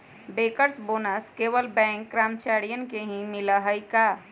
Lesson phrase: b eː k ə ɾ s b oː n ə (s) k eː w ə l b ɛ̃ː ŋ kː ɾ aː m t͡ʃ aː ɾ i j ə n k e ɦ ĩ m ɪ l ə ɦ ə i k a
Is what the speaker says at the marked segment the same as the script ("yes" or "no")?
yes